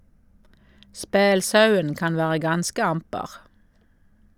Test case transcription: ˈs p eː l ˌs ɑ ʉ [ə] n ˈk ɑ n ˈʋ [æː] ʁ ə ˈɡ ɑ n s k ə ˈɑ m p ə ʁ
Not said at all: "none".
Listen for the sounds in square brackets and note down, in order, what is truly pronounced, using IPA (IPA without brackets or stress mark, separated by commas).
ə, æː